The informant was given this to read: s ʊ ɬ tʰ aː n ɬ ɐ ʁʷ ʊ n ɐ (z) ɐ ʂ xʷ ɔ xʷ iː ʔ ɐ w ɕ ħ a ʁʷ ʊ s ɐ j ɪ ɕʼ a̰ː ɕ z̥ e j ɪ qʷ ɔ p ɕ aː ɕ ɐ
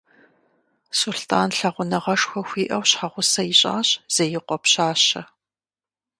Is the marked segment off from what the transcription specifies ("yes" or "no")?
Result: yes